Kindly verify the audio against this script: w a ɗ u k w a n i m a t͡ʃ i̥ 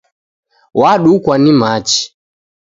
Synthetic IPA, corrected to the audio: w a ɗ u k w a n i m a t͡ʃ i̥